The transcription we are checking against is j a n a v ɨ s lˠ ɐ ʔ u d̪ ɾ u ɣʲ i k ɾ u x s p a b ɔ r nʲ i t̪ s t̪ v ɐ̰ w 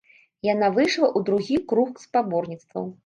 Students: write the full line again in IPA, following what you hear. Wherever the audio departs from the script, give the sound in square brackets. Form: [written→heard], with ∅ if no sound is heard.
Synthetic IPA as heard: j a n a v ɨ [s→ʂ] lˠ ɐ ʔ u d̪ ɾ u ɣʲ i k ɾ u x s p a b ɔ r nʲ i t̪ s t̪ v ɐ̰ w